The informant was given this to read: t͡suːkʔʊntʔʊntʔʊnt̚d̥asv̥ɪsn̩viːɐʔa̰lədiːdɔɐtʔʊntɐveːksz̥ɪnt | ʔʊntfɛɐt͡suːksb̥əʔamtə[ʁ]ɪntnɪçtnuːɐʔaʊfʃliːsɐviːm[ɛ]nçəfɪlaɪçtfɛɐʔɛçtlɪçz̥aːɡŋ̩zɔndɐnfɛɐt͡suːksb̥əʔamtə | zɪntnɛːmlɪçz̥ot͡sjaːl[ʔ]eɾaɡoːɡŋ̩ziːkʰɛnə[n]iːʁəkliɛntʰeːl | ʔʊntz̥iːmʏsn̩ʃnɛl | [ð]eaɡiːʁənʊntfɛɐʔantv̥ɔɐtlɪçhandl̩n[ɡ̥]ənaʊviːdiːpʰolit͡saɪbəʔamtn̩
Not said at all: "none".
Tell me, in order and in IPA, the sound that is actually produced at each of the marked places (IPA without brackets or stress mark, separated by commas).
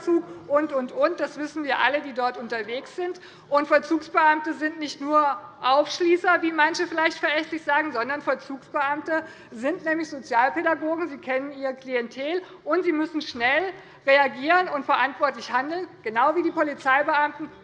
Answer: z, a, p, n, ʁ, ɡ̥